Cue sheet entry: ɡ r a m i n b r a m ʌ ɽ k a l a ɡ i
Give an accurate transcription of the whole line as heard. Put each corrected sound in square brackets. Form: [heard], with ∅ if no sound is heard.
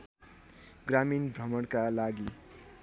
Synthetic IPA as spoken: ɡ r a m i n b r [ʌ] m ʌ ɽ k a l a ɡ i